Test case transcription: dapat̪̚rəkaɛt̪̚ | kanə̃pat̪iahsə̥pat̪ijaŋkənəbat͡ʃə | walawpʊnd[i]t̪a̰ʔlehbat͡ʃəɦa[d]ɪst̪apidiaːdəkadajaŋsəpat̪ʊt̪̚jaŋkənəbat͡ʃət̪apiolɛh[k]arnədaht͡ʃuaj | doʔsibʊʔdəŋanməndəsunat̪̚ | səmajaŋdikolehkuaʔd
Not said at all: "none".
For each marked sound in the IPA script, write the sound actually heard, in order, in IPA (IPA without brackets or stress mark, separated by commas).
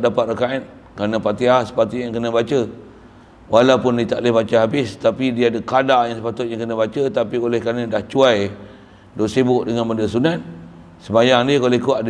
i, b, k